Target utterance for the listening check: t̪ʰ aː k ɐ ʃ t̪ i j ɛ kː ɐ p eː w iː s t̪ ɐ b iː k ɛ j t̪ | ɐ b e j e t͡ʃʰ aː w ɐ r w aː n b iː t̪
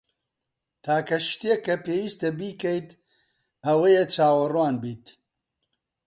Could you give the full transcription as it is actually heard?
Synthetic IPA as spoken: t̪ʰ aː k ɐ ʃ t̪ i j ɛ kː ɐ p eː w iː s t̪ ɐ b iː k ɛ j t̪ | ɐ w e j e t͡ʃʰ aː w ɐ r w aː n b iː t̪